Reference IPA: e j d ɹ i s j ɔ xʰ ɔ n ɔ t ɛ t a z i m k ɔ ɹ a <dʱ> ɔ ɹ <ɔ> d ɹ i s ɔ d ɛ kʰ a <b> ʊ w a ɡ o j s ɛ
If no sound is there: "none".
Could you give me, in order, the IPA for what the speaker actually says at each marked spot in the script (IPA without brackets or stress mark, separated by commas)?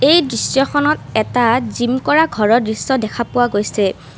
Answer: ɡʱ, ɔ, p